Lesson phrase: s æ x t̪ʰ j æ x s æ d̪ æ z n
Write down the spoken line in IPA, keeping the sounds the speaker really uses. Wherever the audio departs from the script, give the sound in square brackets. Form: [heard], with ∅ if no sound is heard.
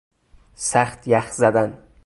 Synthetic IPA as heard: s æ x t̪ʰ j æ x [z] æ d̪ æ [∅] n